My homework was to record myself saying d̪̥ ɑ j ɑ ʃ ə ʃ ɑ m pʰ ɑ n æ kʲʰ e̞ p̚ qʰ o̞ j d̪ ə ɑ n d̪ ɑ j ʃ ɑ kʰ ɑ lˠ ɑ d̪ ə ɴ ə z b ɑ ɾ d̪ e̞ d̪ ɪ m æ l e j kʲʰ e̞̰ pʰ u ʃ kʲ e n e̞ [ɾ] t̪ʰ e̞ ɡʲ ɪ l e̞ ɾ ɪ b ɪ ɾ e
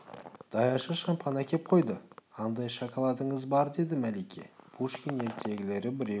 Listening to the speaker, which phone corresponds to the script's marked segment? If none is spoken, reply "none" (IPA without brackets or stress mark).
ɾ